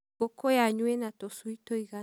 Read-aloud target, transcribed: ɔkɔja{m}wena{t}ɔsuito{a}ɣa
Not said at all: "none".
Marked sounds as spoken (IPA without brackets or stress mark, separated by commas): ɲ, t, i